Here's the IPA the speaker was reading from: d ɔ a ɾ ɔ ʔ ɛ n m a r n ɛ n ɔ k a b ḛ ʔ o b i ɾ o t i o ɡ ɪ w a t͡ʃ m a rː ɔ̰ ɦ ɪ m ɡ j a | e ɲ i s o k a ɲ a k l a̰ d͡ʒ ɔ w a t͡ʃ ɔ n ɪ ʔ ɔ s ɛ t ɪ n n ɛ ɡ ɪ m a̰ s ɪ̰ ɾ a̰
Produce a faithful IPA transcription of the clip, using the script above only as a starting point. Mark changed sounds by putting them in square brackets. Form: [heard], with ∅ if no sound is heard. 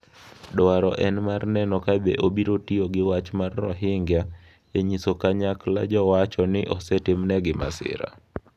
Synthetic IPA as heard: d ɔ a ɾ ɔ ʔ ɛ n m a r n ɛ n ɔ k a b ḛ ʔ o b i ɾ o t i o ɡ ɪ w a t͡ʃ m a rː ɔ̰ ɦ ɪ [ŋ] ɡ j a | e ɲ i s o k a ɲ a k l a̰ d͡ʒ ɔ w a t͡ʃ ɔ n ɪ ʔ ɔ s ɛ t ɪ [m] n ɛ ɡ ɪ m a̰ s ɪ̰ ɾ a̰

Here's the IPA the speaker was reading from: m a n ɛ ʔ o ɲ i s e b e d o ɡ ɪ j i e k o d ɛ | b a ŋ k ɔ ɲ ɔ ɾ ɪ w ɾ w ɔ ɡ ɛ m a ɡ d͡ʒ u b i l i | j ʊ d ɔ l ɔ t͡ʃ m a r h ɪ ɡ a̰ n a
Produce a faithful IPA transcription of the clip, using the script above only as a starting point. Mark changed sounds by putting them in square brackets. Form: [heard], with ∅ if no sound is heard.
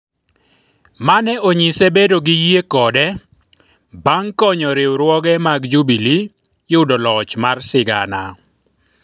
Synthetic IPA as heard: m a n ɛ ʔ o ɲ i s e b e d o ɡ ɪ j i e k [ɔ] d ɛ | b a ŋ k ɔ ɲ ɔ ɾ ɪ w ɾ w ɔ ɡ ɛ m a ɡ d͡ʒ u b i l i | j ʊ d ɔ l ɔ t͡ʃ m a r [s] ɪ ɡ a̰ n a

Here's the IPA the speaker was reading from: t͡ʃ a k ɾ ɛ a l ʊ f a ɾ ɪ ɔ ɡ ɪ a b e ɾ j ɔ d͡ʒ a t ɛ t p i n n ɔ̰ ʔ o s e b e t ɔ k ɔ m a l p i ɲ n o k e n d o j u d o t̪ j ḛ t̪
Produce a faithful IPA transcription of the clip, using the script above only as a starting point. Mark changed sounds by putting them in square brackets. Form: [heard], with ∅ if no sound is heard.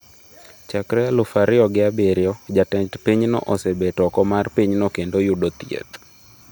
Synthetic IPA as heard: t͡ʃ a k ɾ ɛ a l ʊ f a ɾ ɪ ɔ ɡ ɪ a b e ɾ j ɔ d͡ʒ a t ɛ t p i [ɲ] n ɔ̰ ʔ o s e b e t ɔ k ɔ m a [r] p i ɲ n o k e n d o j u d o t̪ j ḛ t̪

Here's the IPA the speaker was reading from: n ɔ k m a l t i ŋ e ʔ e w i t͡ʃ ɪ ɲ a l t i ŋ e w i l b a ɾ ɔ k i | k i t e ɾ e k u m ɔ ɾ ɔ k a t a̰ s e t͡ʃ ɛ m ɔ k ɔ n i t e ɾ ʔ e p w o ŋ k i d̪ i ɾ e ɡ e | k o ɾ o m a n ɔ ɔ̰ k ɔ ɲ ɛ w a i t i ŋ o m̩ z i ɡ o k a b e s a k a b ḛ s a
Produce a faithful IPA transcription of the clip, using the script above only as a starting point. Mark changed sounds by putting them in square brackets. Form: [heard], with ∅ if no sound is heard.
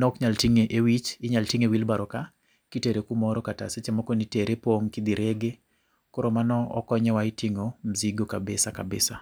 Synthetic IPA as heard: n ɔ k [ɲ] a l t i ŋ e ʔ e w i t͡ʃ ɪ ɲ a l t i ŋ e w i l b a ɾ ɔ k [a] | k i t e ɾ e k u m ɔ ɾ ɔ k a t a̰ s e t͡ʃ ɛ m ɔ k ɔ n i t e ɾ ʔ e p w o ŋ k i d̪ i ɾ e ɡ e | k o ɾ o m a n ɔ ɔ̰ k ɔ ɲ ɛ w a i t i ŋ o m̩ z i ɡ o k a b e s a k a b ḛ s a

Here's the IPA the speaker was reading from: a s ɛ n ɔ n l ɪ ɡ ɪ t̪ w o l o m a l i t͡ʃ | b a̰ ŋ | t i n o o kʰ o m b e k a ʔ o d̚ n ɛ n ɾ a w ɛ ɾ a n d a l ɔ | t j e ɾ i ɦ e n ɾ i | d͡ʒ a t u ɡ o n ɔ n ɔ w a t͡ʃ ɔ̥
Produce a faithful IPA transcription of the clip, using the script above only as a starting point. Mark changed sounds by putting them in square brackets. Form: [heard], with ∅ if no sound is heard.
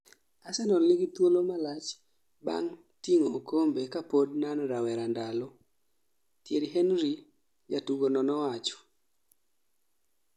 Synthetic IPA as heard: a s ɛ n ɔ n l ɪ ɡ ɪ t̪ w o l o m a l [a] t͡ʃ | b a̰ ŋ | t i [ŋ] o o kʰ o m b e k a [p] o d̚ n [a] n ɾ a w ɛ ɾ a n d a l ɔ | t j e ɾ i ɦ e n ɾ i | d͡ʒ a t u ɡ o n ɔ n ɔ w a t͡ʃ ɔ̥

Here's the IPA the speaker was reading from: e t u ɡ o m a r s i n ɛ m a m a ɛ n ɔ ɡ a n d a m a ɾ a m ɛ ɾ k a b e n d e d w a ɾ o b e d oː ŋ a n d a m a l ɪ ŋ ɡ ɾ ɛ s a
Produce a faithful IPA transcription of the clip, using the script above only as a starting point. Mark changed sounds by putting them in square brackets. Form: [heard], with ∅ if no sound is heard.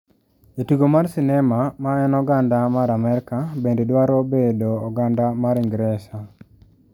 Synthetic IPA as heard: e t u ɡ o m a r s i n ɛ m a m a ɛ n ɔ ɡ a n d a m a ɾ a m ɛ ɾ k a b e n d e d w a ɾ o b e d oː [ɡ] a n d a m a [ɾ] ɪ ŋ ɡ ɾ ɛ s a

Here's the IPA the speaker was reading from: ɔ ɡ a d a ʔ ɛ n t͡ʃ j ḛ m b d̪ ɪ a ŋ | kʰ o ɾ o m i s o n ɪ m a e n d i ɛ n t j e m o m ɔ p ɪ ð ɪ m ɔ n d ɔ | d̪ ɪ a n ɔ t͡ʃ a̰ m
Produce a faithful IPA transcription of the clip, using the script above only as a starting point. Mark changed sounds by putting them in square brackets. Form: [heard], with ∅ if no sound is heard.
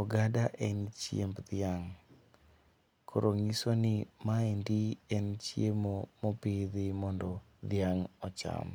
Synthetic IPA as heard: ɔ ɡ a d a ʔ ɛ n t͡ʃ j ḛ m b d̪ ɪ a ŋ | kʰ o ɾ o [ŋ] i s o n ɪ m a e n d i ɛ n [t͡ʃ] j e m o m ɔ p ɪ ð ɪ m ɔ n d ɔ | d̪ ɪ a [ŋ] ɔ t͡ʃ a̰ m

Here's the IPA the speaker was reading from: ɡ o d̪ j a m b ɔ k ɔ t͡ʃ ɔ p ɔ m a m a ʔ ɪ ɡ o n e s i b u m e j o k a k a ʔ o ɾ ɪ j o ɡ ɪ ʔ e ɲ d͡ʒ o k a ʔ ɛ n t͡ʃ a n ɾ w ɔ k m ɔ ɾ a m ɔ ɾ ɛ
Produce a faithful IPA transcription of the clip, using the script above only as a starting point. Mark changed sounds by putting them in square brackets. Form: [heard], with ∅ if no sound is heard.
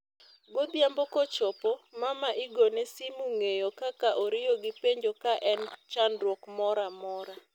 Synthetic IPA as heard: ɡ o d̪ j a m b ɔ k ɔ t͡ʃ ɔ p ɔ m a m a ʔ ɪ ɡ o n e s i [m] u [ŋ] e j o k a k a ʔ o ɾ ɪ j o ɡ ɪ [p] e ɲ d͡ʒ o k a ʔ ɛ n t͡ʃ a n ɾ w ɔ k m ɔ ɾ a m ɔ ɾ [a]

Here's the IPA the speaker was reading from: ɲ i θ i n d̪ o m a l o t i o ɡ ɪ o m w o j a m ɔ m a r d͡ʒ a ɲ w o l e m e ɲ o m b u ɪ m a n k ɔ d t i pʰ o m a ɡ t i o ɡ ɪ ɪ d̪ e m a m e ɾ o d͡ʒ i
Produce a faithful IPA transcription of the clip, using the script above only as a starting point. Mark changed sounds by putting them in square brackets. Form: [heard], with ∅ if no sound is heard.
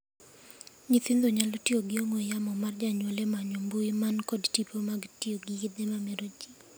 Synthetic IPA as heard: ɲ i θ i n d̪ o [ɲ] a l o t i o ɡ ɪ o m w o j a m ɔ m a r d͡ʒ a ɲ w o l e m [a] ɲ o m b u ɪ m a n k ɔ d t i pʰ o m a ɡ t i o ɡ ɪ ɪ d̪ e m a m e ɾ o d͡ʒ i

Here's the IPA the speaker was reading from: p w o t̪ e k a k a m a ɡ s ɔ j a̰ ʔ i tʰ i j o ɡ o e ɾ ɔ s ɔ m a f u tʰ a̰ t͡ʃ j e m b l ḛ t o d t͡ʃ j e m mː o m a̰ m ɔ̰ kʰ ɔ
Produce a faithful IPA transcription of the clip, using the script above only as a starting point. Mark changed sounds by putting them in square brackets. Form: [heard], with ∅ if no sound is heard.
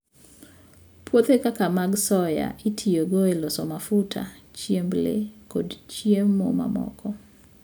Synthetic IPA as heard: p w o t̪ e k a k a m a ɡ s ɔ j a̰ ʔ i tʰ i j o ɡ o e [l] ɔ s ɔ m a f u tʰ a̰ t͡ʃ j e m b l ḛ [k] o d t͡ʃ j e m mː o m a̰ m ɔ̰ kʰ ɔ

